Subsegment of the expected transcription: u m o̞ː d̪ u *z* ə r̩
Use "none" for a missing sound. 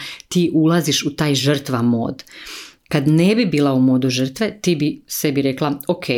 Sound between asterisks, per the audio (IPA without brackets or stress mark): ʒ